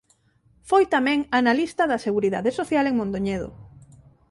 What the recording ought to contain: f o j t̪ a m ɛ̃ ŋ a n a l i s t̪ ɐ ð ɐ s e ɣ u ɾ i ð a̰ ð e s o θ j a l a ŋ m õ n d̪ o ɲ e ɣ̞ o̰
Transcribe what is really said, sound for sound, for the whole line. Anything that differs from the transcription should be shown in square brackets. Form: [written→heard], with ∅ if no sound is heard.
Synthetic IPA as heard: f o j t̪ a m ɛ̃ ŋ a n a l i s t̪ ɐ ð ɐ s e ɣ u ɾ i ð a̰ ð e s o θ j a l [a→e] ŋ m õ n d̪ o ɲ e [ɣ̞→ð̞] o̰